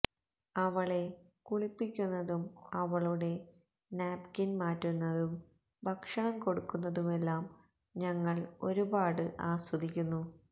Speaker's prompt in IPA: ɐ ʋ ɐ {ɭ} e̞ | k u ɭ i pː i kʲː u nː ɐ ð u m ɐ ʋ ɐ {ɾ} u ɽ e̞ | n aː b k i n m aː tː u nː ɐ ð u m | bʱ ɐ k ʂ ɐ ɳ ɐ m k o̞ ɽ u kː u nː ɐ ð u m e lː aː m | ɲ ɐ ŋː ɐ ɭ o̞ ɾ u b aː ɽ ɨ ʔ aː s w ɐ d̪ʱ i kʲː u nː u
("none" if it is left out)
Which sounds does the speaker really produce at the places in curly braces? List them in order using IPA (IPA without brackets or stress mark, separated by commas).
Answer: ɭ, ɭ